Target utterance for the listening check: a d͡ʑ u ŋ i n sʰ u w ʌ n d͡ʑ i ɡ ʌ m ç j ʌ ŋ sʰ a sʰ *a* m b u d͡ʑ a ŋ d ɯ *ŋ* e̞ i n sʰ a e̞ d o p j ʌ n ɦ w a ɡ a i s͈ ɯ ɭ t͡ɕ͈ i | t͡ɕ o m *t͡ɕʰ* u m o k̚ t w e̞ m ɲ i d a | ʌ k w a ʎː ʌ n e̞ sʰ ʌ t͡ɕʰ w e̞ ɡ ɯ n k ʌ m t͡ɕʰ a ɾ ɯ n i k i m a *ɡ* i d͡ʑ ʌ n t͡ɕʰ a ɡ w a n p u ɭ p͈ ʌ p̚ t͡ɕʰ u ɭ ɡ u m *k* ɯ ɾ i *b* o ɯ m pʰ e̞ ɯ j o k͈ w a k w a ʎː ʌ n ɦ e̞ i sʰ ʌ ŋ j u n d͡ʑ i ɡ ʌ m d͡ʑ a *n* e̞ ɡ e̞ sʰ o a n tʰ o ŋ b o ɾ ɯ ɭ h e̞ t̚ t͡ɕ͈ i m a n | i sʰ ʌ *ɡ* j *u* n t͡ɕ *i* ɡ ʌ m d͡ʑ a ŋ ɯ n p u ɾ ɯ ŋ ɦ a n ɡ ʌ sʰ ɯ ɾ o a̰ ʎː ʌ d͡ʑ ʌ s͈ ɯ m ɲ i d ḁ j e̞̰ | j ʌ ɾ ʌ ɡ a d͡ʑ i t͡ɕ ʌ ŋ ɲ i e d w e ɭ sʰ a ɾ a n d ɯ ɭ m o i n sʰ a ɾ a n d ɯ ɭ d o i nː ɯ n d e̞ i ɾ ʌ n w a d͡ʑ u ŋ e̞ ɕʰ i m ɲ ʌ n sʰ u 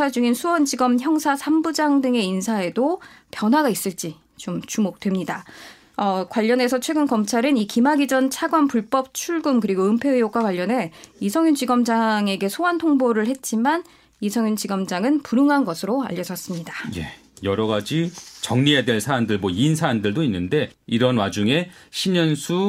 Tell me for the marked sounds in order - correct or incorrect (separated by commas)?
correct, correct, incorrect, correct, correct, incorrect, incorrect, incorrect, correct, correct